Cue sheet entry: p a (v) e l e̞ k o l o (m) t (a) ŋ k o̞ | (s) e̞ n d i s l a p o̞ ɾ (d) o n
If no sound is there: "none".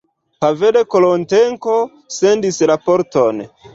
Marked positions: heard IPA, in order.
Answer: v, n, e, s, t

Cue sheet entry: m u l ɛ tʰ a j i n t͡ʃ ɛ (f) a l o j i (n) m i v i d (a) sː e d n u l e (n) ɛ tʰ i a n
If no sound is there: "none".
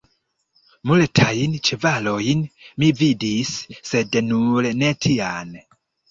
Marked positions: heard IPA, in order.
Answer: v, n, i, n

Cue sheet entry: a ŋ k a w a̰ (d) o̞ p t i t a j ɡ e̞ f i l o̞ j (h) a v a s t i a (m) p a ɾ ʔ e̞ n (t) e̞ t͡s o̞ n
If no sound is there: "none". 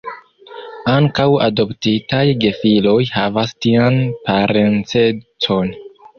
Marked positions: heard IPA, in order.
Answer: d, h, n, t͡s

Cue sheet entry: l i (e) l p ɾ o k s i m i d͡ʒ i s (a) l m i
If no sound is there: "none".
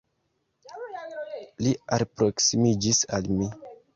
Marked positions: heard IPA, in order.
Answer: a, a

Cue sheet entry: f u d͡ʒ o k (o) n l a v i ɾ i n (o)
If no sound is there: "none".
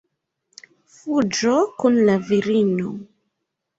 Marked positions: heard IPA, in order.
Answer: u, o

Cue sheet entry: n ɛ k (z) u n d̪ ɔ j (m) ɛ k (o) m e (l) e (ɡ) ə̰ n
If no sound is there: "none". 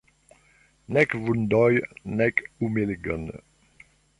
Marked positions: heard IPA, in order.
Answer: v, n, u, l, ɡ

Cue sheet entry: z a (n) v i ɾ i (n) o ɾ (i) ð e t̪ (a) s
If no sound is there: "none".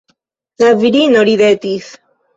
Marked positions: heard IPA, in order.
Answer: none, n, i, i

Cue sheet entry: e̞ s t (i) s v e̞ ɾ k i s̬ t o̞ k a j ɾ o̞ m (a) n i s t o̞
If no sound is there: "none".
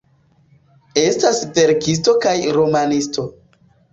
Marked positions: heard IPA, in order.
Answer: a, a

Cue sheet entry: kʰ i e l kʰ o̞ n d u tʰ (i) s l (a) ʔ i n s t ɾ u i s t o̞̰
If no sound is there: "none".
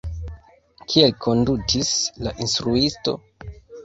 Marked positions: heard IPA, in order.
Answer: i, a

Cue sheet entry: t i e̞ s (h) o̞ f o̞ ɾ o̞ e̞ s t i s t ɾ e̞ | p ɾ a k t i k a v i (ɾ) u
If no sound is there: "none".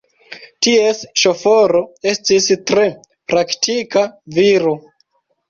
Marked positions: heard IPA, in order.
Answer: ʃ, ɾ

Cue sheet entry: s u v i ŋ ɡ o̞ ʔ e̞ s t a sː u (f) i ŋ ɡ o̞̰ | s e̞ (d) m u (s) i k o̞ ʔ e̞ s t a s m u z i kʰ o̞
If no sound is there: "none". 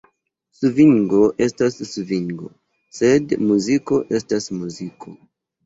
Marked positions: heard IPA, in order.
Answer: v, d, z

